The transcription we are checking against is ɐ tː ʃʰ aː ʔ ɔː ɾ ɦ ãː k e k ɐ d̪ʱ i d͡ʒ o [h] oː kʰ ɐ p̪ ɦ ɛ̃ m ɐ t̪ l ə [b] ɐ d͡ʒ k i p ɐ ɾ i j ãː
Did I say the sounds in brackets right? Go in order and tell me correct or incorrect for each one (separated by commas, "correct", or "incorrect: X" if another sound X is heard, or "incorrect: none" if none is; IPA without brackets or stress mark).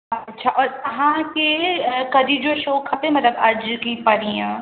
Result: incorrect: ʃ, correct